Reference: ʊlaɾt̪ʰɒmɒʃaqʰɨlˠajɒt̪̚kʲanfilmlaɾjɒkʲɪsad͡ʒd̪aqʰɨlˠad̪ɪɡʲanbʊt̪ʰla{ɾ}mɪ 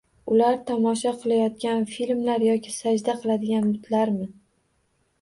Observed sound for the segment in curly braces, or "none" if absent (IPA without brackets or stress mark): ɾ